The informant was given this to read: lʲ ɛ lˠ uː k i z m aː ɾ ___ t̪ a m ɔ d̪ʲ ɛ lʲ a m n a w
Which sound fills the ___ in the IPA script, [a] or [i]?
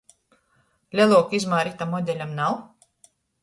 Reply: i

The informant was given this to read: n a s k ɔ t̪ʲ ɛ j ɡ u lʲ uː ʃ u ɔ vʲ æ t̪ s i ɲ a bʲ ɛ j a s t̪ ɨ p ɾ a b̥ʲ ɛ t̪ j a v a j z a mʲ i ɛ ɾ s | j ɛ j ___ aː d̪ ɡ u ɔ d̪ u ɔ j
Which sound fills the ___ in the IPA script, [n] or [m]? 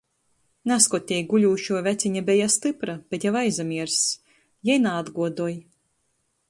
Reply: n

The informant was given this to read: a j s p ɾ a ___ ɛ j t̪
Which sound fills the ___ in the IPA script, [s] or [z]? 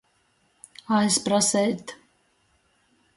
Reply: s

